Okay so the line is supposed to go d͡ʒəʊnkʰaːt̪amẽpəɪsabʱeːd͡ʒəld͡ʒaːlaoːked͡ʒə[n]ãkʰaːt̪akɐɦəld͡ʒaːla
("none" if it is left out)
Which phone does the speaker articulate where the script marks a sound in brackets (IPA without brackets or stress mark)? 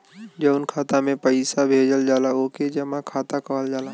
m